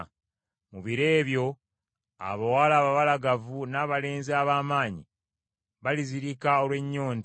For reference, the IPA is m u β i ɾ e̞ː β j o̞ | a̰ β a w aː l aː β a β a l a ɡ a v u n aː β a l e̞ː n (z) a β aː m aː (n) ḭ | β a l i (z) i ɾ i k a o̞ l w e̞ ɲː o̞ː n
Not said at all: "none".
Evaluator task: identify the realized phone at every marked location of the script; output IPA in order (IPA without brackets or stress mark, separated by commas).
z, ɲ, z